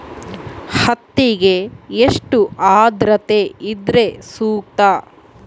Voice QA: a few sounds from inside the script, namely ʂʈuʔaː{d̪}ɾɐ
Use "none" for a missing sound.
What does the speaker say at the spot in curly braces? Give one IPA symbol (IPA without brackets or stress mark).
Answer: d̪